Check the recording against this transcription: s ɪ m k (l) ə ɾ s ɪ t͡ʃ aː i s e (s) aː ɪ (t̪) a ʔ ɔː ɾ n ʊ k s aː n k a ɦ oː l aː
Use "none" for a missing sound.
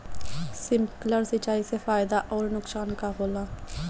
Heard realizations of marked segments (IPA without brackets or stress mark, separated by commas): l, f, d̪